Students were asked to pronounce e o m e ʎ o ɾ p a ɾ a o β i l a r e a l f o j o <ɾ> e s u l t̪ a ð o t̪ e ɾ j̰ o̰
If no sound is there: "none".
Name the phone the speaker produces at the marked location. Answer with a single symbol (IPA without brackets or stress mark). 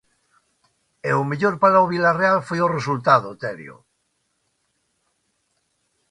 r